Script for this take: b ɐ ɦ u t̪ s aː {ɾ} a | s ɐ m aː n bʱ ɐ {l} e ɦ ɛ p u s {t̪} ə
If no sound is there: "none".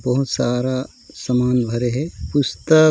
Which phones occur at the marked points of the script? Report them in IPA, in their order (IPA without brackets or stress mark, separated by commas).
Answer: ɾ, ɾ, t̪